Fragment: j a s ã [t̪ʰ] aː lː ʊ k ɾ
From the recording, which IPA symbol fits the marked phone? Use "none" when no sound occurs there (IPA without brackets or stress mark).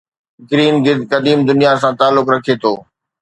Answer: t̪